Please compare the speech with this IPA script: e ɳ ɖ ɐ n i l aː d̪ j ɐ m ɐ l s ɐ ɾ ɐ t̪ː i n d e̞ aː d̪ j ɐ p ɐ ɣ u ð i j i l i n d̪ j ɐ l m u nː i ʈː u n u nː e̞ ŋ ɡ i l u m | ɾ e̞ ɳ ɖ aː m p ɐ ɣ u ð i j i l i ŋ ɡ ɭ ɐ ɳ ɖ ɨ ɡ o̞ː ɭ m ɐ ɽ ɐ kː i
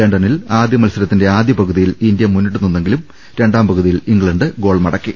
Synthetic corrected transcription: e ɳ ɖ ɐ n i l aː d̪ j ɐ m ɐ l s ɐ ɾ ɐ t̪ː i n d e̞ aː d̪ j ɐ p ɐ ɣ u ð i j i l i n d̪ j ɐ m u nː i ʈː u n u nː e̞ ŋ ɡ i l u m | ɾ e̞ ɳ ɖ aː m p ɐ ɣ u ð i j i l i ŋ ɡ ɭ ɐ ɳ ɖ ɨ ɡ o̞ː ɭ m ɐ ɽ ɐ kː i

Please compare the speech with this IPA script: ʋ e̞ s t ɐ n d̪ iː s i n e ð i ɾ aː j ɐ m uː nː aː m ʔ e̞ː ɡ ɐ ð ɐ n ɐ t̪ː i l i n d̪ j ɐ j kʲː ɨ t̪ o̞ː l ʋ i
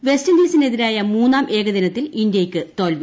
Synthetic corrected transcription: ʋ e̞ s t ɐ n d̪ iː s i n e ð i ɾ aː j ɐ m uː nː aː m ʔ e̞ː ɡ ɐ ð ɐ n ɐ t̪ː i l i n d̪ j ɐ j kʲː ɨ t̪ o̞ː l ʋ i

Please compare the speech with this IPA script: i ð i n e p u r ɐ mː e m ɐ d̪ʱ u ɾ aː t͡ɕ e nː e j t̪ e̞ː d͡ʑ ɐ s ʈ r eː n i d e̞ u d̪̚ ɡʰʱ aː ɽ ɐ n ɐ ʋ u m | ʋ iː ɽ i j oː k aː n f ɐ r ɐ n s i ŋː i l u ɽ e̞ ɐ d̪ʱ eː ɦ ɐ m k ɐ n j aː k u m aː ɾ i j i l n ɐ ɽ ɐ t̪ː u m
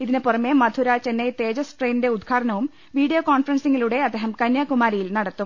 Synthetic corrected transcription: i ð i n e p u r ɐ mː e m ɐ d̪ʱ u ɾ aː t͡ɕ e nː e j t̪ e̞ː d͡ʑ ɐ s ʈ r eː n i d e̞ u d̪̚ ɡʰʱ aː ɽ ɐ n ɐ ʋ u m | ʋ iː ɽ i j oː k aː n f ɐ r ɐ n s i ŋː i l u ɽ e̞ ɐ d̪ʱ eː ɦ ɐ m k ɐ n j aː k u m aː ɾ i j i l n ɐ ɽ ɐ t̪ː u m

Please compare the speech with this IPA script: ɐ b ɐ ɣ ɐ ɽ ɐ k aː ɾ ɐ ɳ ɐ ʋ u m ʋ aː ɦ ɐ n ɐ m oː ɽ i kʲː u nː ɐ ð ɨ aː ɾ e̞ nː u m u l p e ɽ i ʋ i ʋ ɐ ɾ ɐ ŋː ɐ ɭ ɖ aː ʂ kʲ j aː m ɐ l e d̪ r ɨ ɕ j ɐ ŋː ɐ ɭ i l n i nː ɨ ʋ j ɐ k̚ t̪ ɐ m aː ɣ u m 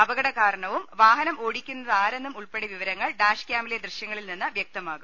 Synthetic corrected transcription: ɐ b ɐ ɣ ɐ ɽ ɐ k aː ɾ ɐ ɳ ɐ ʋ u m ʋ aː ɦ ɐ n ɐ m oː ɽ i kʲː u nː ɐ ð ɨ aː ɾ e̞ nː u m u ɭ p e ɽ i ʋ i ʋ ɐ ɾ ɐ ŋː ɐ ɭ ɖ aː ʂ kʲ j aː m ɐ l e d̪ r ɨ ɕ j ɐ ŋː ɐ ɭ i l n i nː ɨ ʋ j ɐ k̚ t̪ ɐ m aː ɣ u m

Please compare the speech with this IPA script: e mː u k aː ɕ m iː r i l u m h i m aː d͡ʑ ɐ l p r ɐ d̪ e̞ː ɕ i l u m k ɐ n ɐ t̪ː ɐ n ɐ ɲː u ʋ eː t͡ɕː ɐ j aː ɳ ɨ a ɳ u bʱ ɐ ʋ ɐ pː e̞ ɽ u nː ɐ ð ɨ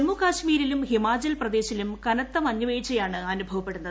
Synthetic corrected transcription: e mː u k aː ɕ m iː ɾ i l u m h i m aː d͡ʑ ɐ l p r ɐ d̪ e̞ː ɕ i l u m k ɐ n ɐ t̪ː ɐ m ɐ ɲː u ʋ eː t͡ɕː ɐ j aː ɳ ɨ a n u bʱ ɐ ʋ ɐ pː e̞ ɽ u nː ɐ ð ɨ

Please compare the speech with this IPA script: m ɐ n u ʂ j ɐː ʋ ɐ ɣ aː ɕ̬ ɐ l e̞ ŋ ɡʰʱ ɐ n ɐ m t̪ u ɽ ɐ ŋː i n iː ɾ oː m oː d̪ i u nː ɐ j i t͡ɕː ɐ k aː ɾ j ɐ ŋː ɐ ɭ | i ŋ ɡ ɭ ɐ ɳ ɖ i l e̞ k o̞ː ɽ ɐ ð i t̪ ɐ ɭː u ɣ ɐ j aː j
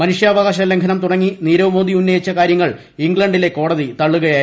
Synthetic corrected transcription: m ɐ n u ʂ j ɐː ʋ ɐ ɣ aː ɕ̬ ɐ l e̞ ŋ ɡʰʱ ɐ n ɐ m t̪ u ɽ ɐ ŋː i n iː ɾ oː m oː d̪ i u nː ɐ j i t͡ɕː ɐ k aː ɾ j ɐ ŋː ɐ ɭ | i ŋ ɡ ɭ ɐ ɳ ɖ i l e̞ k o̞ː ɽ ɐ ð i t̪ ɐ ɭː u ɣ ɐ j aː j

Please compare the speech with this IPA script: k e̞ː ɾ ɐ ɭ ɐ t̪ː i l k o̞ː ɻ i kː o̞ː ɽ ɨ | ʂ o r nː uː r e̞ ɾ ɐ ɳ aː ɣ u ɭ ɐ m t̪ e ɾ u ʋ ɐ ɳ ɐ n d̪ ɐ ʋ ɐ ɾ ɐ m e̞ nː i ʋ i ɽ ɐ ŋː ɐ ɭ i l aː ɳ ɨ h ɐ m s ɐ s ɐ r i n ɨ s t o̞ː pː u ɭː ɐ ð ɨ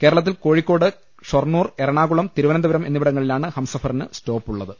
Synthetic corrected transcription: k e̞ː ɾ ɐ ɭ ɐ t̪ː i l k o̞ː ɻ i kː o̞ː ɽ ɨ | ʂ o r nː uː r e̞ ɾ ɐ ɳ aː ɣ u ɭ ɐ m t̪ i ɾ u ʋ ɐ n ɐ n d̪ ɐ ʋ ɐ ɾ ɐ m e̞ nː i ʋ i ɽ ɐ ŋː ɐ ɭ i l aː ɳ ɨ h ɐ m s ɐ f ɐ r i n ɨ s t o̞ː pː u ɭː ɐ ð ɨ

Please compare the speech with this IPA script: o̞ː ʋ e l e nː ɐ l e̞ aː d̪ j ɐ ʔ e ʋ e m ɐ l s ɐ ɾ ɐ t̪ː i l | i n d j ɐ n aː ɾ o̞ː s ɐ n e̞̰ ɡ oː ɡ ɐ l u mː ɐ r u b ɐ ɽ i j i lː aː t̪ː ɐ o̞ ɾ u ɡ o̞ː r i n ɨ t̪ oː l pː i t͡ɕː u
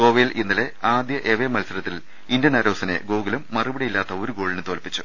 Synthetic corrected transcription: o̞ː ʋ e l i nː ɐ l e̞ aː d̪ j ɐ ʔ e ʋ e m ɐ l s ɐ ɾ ɐ t̪ː i l | i n d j ɐ n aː ɾ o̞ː s ɐ n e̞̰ ɡ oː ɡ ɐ l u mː ɐ r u b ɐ ɽ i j i lː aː t̪ː ɐ o̞ ɾ u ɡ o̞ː ɭ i n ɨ t̪ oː l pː i t͡ɕː u

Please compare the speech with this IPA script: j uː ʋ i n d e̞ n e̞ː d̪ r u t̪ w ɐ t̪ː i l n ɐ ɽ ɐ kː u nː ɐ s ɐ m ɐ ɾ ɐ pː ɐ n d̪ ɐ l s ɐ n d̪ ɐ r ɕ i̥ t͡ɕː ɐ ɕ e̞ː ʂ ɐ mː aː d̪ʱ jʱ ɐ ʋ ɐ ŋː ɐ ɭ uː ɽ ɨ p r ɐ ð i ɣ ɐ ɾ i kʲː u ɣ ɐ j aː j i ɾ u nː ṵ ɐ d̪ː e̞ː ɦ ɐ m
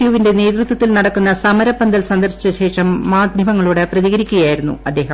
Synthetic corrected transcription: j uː ʋ i n d e̞ n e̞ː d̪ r u t̪ w ɐ t̪ː i l n ɐ ɽ ɐ kː u nː ɐ s ɐ m ɐ ɾ ɐ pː ɐ n d̪ ɐ l s ɐ n d̪ ɐ r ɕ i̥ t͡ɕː ɐ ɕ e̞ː ʂ ɐ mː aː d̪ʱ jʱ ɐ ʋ ɐ ŋː ɐ ɭ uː ɽ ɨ p r ɐ ð i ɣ ɐ ɾ i kʲː u ɣ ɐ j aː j i ɾ u nː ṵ ɐ d̪ː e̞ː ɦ ɐ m

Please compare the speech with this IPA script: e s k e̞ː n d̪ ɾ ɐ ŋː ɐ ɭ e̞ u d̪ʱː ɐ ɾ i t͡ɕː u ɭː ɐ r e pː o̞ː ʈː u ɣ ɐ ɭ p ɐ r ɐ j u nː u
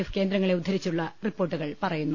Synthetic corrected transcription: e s k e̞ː n d̪ ɾ ɐ ŋː ɐ ɭ e̞ u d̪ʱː ɐ ɾ i t͡ɕː u ɭː ɐ r i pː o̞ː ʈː u ɣ ɐ ɭ p ɐ r ɐ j u nː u

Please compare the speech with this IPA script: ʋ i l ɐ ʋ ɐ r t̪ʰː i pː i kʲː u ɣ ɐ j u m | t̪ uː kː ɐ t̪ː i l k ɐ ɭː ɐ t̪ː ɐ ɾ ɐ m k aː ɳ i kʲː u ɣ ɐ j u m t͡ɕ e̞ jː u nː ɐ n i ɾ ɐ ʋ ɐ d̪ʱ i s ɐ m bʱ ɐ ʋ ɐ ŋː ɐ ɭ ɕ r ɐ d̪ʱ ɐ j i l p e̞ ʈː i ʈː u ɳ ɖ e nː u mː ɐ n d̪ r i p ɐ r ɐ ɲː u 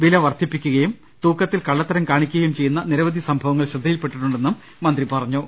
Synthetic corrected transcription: ʋ i l ɐ ʋ ɐ r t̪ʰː i pː i kʲː u ɣ ɐ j u m | t̪ uː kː ɐ t̪ː i l k ɐ ɭː ɐ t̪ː ɐ ɾ ɐ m k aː ɳ i kʲː u ɣ ɐ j u m t͡ɕ e̞ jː u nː ɐ n i ɾ ɐ ʋ ɐ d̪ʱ i s ɐ m bʱ ɐ ʋ ɐ ŋː ɐ ɭ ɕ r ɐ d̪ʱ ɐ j i l p e̞ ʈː i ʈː u ɳ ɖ e nː u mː ɐ n d̪ r i p ɐ r ɐ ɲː u

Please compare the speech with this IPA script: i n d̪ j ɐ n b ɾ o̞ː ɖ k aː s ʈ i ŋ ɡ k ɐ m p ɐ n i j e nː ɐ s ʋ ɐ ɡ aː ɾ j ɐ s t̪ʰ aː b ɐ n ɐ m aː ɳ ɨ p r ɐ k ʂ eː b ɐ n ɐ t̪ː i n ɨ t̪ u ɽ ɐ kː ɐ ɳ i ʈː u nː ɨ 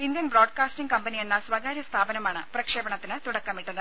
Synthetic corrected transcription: i n d̪ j ɐ n b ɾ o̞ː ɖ k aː s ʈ i ŋ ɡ k ɐ m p ɐ n i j e nː ɐ s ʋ ɐ ɡ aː ɾ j ɐ s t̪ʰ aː b ɐ n ɐ m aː ɳ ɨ p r ɐ k ʂ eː b ɐ ɳ ɐ t̪ː i n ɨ t̪ u ɽ ɐ kː ɐ m i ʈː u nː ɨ

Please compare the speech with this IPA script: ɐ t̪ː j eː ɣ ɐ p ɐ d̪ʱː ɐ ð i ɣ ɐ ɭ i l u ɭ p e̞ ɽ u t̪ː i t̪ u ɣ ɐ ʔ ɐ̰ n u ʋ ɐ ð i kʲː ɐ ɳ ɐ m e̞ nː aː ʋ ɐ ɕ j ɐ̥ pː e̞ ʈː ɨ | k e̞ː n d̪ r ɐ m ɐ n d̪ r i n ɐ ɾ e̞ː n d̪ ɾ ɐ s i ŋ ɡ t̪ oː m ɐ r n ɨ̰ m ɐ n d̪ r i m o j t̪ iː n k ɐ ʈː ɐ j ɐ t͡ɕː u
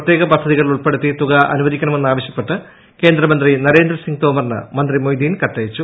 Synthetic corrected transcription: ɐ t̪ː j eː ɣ ɐ p ɐ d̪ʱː ɐ ð i ɣ ɐ ɭ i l u ɭ p e̞ ɽ u t̪ː i t̪ u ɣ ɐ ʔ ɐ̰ n u ʋ ɐ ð i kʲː ɐ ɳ ɐ m e̞ nː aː ʋ ɐ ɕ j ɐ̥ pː e̞ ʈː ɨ | k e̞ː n d̪ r ɐ m ɐ n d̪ r i n ɐ ɾ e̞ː n d̪ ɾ ɐ s i ŋ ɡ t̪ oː m ɐ r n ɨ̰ m ɐ n d̪ r i m o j d̪ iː n k ɐ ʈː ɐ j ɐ t͡ɕː u

